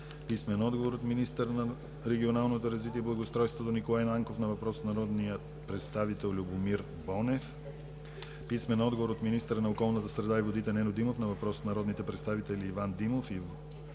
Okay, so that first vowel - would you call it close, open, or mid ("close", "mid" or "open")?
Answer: close